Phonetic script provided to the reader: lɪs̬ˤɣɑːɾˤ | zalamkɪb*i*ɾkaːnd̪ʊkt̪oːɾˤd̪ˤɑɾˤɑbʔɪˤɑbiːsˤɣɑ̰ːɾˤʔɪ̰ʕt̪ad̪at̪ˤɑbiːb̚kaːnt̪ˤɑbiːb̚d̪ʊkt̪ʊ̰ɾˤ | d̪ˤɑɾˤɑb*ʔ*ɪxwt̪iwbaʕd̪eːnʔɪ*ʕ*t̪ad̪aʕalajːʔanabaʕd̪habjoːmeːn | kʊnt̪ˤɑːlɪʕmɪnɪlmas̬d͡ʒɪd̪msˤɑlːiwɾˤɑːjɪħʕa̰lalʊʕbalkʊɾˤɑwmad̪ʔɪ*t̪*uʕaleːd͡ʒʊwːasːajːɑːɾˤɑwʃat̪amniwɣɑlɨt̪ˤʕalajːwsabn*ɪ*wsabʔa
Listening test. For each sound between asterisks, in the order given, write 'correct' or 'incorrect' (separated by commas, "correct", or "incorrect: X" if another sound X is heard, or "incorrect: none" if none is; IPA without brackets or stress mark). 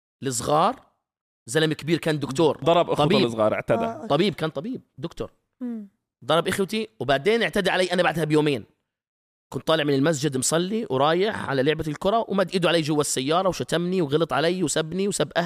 incorrect: iː, correct, correct, incorrect: d̪, incorrect: i